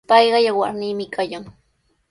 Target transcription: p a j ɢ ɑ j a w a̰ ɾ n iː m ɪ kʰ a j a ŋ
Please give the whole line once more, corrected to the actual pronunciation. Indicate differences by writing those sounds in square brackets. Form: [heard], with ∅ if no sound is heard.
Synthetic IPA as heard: p [ɑ] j ɢ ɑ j a w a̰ ɾ n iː m ɪ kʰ a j a ŋ